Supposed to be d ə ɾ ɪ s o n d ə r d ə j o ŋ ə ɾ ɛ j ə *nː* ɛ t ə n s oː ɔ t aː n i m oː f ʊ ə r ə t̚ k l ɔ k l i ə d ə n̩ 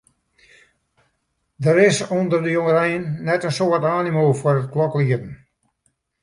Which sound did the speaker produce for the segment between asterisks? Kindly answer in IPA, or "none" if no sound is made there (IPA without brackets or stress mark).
nː